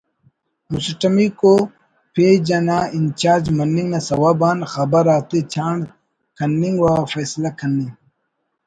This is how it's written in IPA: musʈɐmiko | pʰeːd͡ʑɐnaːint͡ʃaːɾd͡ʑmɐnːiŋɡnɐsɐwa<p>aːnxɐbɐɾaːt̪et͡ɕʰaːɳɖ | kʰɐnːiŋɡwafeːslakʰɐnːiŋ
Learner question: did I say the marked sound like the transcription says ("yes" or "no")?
no